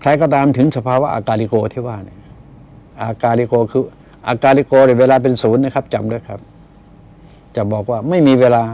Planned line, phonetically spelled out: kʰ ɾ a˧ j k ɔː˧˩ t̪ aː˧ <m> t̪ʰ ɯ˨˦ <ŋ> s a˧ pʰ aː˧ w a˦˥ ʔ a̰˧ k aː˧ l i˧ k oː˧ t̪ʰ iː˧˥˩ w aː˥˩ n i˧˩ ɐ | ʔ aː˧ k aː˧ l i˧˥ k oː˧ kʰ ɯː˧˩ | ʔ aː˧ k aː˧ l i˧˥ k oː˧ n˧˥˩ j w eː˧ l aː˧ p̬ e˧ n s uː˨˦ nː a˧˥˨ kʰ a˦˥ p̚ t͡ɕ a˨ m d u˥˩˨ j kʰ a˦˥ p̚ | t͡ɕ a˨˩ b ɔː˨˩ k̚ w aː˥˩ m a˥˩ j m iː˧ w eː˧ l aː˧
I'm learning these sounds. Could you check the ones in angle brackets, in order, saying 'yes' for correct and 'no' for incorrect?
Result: yes, yes

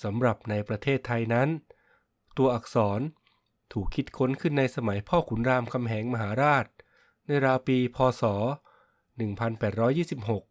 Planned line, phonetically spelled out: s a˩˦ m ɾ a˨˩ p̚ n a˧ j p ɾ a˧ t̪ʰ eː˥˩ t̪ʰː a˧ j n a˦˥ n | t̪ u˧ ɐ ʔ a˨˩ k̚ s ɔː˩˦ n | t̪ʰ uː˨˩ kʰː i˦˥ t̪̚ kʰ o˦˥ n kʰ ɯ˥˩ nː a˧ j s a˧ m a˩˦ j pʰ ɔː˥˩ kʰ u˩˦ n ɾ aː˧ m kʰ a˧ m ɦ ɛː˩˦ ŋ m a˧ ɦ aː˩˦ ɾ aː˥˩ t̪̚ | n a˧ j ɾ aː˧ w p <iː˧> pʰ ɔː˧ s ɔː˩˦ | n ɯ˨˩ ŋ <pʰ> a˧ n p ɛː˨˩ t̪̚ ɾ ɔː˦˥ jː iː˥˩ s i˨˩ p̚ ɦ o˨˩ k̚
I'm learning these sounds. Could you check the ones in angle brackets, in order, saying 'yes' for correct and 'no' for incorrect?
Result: yes, yes

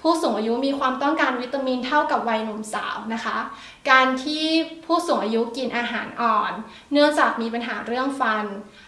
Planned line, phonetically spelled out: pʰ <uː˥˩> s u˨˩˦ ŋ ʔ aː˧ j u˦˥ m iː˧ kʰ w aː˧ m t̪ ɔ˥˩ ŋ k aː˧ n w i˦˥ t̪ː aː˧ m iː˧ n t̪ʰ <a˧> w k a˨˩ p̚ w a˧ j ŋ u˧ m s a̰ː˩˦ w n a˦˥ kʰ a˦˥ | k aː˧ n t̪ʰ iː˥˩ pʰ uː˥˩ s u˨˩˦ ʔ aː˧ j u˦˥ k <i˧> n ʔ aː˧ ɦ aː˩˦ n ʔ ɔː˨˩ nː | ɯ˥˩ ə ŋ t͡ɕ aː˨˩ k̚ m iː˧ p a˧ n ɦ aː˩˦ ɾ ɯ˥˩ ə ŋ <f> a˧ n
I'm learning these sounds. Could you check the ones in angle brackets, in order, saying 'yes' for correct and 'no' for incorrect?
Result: yes, no, yes, yes

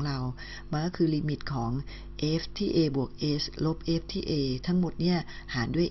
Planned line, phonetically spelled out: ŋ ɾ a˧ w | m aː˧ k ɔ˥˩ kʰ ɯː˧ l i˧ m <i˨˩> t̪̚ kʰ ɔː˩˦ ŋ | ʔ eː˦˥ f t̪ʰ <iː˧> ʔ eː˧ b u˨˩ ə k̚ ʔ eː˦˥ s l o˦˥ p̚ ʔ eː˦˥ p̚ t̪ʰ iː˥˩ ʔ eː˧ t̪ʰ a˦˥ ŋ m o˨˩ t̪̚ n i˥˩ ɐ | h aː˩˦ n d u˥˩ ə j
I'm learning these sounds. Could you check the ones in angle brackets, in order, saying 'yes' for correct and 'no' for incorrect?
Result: yes, no

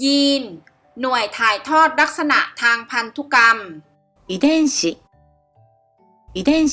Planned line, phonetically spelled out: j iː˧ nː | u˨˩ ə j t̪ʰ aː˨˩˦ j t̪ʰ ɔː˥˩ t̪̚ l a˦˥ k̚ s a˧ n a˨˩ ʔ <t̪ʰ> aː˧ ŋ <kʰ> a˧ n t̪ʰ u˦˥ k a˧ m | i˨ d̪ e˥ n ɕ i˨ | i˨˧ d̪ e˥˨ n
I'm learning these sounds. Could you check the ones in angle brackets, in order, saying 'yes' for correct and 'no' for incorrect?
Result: yes, no

